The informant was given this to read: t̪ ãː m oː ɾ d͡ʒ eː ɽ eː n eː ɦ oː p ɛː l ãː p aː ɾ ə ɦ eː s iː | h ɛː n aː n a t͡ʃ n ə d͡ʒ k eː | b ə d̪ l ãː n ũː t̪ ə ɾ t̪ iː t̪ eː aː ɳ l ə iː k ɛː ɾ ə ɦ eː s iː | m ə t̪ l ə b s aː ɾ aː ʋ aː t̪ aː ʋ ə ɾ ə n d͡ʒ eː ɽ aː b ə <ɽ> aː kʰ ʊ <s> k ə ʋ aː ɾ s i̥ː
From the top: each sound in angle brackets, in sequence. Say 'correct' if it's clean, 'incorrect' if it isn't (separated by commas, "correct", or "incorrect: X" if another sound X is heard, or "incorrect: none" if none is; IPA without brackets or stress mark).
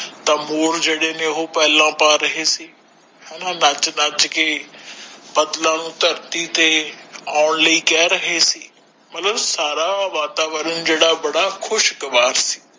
correct, incorrect: ʃ